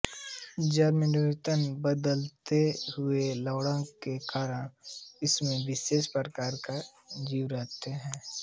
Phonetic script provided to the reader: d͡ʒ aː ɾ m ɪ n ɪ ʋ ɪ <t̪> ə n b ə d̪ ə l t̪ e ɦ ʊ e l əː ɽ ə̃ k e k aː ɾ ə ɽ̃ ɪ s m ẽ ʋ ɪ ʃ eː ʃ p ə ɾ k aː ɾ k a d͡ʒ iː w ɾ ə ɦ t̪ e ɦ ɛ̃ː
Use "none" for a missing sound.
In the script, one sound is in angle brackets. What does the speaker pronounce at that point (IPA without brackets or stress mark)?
t̪